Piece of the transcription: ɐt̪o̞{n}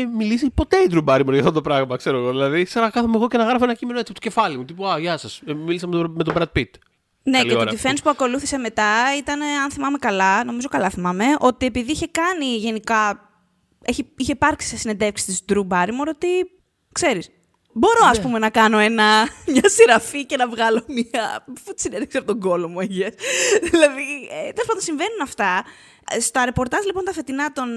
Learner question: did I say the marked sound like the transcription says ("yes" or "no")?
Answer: yes